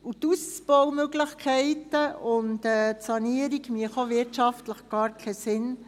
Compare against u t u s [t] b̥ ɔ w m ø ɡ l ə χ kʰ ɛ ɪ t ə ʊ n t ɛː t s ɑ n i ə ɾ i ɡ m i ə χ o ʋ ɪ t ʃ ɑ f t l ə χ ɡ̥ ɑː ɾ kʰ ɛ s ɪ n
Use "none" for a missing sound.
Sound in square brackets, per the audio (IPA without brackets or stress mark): t͡s